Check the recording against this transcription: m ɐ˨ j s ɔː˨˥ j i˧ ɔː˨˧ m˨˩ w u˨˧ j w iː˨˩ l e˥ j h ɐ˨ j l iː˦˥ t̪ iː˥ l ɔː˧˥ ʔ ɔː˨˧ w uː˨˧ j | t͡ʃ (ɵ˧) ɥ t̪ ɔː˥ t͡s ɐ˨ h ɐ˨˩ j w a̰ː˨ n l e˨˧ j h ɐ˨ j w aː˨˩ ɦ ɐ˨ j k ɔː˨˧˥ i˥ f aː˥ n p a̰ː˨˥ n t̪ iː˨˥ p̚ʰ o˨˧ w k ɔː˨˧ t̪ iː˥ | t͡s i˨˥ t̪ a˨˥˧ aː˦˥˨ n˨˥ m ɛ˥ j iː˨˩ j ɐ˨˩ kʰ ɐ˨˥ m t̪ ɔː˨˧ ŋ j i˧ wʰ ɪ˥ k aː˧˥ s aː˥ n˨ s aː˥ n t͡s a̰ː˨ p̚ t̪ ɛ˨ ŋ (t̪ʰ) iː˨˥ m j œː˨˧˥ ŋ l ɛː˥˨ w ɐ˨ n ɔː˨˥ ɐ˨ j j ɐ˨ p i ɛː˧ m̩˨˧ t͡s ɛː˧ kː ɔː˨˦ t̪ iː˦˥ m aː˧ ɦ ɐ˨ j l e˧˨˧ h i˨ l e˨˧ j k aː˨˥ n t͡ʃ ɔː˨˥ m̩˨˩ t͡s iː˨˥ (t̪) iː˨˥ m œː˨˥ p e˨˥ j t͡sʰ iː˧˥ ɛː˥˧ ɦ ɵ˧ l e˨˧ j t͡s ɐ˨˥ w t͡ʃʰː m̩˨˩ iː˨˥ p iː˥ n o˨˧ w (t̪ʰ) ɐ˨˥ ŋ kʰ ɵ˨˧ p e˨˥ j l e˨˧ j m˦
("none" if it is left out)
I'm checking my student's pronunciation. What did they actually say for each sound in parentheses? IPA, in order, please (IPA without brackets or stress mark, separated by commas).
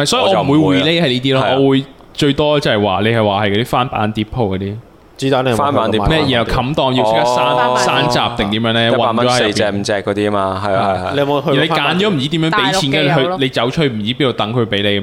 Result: ɵ˧, t̪, t̪, t̪